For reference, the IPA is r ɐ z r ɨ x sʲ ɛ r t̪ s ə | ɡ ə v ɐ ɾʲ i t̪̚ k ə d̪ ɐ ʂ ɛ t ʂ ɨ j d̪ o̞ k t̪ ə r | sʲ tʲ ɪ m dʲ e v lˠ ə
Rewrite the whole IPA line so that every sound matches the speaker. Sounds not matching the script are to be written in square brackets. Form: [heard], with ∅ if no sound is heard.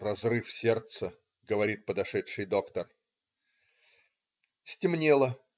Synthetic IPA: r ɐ z r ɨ [f] sʲ [e] r t̪ s ə | ɡ ə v ɐ ɾʲ i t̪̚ [p] ə d̪ ɐ ʂ ɛ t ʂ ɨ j d̪ o̞ k t̪ ə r | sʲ tʲ ɪ m [nʲ] e [∅] lˠ ə